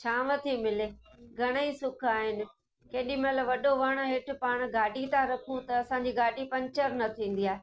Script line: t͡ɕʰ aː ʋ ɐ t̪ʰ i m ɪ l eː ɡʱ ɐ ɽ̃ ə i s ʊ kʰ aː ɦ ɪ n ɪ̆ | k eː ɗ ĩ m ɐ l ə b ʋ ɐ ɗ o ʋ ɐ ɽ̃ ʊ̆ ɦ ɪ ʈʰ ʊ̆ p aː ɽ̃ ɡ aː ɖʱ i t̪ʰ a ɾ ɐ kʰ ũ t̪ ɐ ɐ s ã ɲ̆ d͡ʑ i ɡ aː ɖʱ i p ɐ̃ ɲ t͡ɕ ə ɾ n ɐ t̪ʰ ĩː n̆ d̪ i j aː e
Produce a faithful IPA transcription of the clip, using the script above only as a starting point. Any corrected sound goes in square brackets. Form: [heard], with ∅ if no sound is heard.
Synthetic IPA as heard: t͡ɕʰ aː ʋ ɐ t̪ʰ i m ɪ l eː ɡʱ ɐ ɽ̃ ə i s ʊ kʰ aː ɦ ɪ n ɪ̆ | k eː ɗ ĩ m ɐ l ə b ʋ ɐ ɗ o ʋ ɐ ɽ̃ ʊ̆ ɦ ɪ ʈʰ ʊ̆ p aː ɽ̃ ɡ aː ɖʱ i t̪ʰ a ɾ ɐ kʰ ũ t̪ ɐ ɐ s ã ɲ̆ d͡ʑ i ɡ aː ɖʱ i p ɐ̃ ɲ t͡ɕ ə ɾ n ɐ t̪ʰ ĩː n̆ d̪ i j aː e

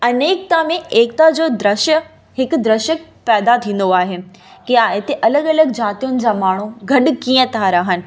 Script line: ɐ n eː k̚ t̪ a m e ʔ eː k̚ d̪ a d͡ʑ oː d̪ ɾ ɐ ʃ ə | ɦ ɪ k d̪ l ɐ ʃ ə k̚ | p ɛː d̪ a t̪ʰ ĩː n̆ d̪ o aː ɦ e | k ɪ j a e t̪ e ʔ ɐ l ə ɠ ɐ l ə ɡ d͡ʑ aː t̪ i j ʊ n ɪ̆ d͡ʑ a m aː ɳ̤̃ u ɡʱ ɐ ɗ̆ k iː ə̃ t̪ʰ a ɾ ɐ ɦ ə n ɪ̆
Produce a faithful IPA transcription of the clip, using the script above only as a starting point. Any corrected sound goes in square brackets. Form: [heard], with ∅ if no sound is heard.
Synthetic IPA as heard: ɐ n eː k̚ t̪ a m [ẽ] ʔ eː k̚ [t̪] a d͡ʑ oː d̪ ɾ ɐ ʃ ə | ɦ ɪ k d̪ [ɾ] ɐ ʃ ə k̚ | p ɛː d̪ a t̪ʰ ĩː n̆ d̪ o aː ɦ e | k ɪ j a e t̪ e ʔ ɐ l ə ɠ ɐ l ə ɡ d͡ʑ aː t̪ i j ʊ n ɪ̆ d͡ʑ a m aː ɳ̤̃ u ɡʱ ɐ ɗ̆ k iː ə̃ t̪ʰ a ɾ ɐ ɦ ə n ɪ̆

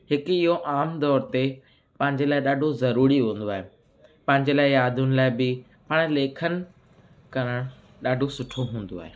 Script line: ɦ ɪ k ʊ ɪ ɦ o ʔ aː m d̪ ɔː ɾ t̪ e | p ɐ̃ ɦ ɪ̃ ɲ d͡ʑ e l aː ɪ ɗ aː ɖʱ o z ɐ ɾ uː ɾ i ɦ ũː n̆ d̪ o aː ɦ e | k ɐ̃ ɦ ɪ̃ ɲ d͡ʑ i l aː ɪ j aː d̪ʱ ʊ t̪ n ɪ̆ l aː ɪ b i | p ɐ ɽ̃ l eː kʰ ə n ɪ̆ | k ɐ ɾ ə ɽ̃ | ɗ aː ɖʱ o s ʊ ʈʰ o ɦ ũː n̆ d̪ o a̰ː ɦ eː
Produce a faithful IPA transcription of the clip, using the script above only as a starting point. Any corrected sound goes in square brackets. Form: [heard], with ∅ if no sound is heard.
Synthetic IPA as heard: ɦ ɪ k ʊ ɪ ɦ o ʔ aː m d̪ ɔː ɾ t̪ e | p ɐ̃ ɦ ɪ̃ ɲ d͡ʑ e l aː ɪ ɗ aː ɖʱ o z ɐ ɾ uː ɾ i ɦ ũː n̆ d̪ o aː ɦ e | [p] ɐ̃ ɦ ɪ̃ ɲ d͡ʑ [e] l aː ɪ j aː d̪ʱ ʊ [∅] n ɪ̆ l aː ɪ b [ɪ] | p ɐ ɽ̃ l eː kʰ ə n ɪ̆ | k ɐ ɾ ə ɽ̃ | ɗ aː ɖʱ o s ʊ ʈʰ o ɦ ũː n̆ d̪ o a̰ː ɦ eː

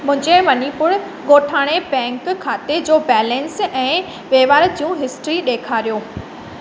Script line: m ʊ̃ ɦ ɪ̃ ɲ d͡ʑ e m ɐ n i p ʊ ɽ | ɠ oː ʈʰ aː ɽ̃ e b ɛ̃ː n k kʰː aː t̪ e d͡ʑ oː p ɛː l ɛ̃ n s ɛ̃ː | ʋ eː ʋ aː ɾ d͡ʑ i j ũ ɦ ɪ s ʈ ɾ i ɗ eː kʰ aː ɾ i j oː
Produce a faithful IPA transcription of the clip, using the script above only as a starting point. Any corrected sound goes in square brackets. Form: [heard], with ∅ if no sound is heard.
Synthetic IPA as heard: m ʊ̃ ɦ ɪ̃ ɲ d͡ʑ e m ɐ n i p ʊ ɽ | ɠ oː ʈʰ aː ɽ̃ e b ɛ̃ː [ŋ] k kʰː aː t̪ e d͡ʑ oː [b] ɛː l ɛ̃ n s ɛ̃ː | ʋ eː ʋ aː ɾ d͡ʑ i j ũ ɦ ɪ s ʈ ɾ i ɗ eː kʰ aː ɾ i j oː

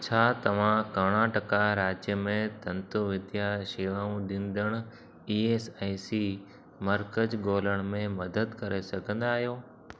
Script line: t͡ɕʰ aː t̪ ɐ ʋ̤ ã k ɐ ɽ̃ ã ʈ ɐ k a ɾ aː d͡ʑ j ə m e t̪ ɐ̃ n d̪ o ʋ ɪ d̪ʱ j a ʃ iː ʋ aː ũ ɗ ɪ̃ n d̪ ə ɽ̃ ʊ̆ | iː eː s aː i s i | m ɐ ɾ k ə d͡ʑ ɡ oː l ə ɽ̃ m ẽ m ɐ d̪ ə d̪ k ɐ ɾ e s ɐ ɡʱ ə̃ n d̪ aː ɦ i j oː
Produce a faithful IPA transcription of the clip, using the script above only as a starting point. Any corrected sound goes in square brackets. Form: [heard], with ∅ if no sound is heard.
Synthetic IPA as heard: t͡ɕʰ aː t̪ ɐ ʋ̤ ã k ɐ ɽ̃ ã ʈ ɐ k a ɾ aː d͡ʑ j ə m [ẽ] t̪ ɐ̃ n [t̪] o ʋ ɪ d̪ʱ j a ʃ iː ʋ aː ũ ɗ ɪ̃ n d̪ ə ɽ̃ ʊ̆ | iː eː s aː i s i | m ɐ ɾ k ə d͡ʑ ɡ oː l ə ɽ̃ m ẽ m ɐ d̪ ə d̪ k ɐ ɾ e s ɐ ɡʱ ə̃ n d̪ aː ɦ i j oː

